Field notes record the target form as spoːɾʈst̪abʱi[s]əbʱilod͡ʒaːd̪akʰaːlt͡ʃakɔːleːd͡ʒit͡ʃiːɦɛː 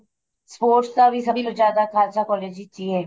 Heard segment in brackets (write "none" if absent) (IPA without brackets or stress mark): s